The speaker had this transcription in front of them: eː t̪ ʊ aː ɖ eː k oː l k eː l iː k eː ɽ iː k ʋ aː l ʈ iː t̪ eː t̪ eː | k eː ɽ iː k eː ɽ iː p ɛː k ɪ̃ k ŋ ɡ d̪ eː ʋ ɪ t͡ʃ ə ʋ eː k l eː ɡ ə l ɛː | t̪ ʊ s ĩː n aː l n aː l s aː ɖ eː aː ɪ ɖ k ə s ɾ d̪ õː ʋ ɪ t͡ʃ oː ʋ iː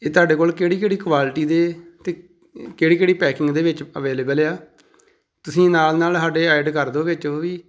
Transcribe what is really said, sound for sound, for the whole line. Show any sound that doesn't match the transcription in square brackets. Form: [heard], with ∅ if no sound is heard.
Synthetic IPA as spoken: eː t̪ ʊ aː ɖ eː k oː l k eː [ɽ] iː k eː ɽ iː k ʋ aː l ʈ iː [d̪] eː t̪ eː | k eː ɽ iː k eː ɽ iː p ɛː k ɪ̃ [∅] ŋ ɡ d̪ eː ʋ ɪ t͡ʃ ə ʋ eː [∅] l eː [b] ə l [aː] | t̪ ʊ s ĩː n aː l n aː l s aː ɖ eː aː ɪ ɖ k ə [∅] ɾ d̪ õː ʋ ɪ t͡ʃ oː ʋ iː